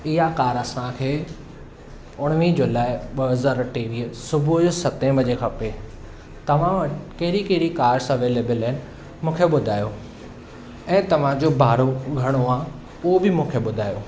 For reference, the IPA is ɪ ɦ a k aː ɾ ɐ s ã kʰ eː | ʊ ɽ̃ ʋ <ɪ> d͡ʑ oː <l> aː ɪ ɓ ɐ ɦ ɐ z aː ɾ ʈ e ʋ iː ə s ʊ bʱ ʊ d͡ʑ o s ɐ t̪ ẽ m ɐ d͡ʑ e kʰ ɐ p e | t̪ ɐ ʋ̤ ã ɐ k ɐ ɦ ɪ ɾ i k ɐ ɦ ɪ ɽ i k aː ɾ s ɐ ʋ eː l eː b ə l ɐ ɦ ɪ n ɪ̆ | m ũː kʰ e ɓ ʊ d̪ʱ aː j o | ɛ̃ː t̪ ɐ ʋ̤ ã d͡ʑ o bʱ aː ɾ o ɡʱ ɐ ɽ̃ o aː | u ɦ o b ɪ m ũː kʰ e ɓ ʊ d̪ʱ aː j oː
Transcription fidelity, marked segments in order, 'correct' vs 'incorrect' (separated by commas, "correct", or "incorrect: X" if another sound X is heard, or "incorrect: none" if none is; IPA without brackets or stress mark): incorrect: i, correct